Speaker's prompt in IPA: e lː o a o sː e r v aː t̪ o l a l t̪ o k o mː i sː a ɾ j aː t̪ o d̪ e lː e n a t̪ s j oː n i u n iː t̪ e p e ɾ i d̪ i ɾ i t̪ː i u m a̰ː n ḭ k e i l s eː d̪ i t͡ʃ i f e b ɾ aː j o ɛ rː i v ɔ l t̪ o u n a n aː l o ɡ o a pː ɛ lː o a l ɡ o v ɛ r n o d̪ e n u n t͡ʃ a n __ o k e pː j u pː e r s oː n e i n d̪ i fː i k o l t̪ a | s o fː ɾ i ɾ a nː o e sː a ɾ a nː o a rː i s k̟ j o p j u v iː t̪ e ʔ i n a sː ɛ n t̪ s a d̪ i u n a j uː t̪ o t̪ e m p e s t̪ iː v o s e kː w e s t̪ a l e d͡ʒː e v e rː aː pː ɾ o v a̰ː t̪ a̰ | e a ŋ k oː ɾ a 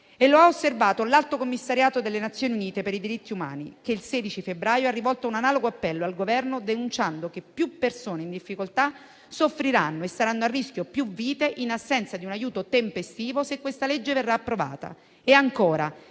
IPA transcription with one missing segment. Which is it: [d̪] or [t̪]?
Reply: d̪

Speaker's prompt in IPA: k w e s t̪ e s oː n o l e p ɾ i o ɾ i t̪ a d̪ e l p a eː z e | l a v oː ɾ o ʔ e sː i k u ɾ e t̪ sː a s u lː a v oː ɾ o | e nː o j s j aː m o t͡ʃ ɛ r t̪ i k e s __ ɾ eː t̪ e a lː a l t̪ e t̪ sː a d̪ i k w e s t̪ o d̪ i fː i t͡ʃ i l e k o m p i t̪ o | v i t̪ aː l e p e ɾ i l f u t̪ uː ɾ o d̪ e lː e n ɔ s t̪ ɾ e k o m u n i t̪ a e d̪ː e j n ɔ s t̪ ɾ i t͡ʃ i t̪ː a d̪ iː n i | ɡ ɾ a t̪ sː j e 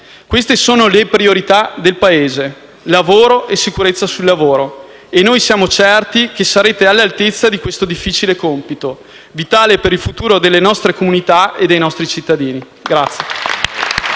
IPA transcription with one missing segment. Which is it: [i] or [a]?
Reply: a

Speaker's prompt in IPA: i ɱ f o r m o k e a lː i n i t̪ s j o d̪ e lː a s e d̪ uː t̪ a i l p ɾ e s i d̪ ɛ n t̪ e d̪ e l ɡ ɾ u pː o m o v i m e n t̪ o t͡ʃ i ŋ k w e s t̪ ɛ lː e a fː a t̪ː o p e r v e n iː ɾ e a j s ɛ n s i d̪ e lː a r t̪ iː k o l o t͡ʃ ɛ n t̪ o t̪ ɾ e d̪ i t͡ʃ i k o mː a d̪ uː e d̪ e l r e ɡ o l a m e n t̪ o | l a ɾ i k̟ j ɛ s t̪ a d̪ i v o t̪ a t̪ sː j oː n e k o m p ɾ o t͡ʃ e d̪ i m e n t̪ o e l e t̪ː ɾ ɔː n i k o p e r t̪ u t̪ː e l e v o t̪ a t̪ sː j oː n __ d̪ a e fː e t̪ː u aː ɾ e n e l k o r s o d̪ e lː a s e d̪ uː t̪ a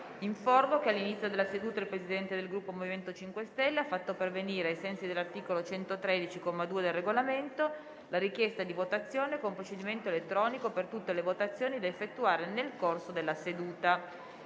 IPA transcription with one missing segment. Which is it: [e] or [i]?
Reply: i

